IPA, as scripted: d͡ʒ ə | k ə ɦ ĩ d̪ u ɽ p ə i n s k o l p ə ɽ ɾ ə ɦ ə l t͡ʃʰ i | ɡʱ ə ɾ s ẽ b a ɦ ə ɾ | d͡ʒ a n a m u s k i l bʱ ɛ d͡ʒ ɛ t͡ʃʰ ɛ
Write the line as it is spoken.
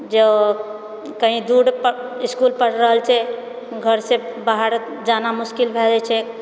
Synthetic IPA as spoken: d͡ʒ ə | k ə ɦ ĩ d̪ u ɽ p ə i s k u l p ə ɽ ɾ ə ɦ ə l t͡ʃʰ ɛ | ɡʱ ə ɾ s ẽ b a ɦ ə ɾ | d͡ʒ a n a m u s k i l bʱ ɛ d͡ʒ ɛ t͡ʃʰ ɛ